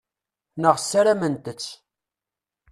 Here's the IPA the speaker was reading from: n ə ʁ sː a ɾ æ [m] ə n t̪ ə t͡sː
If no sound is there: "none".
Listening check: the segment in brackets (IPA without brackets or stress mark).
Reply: m